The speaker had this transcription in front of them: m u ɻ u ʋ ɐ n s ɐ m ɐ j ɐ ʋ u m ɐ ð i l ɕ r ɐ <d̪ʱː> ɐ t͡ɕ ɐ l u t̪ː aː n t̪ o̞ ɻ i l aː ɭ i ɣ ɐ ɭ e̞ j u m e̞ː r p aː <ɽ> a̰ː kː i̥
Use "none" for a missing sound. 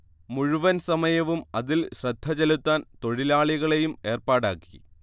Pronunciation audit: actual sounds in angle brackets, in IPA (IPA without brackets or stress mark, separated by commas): d̪ʱː, ɽ